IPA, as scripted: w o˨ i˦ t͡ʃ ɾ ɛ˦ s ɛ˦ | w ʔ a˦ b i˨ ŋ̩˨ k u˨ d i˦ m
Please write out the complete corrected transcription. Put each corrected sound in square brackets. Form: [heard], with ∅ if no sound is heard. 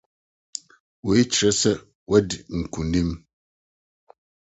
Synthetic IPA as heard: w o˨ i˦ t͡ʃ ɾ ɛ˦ s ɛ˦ | w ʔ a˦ [d] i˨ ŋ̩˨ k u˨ [n] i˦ m